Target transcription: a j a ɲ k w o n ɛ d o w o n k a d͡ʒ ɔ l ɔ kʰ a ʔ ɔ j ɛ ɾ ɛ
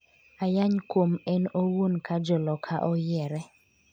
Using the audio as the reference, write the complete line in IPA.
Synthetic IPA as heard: a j a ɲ k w o m ɛ n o w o n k a d͡ʒ ɔ l ɔ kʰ a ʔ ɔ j ɛ ɾ ɛ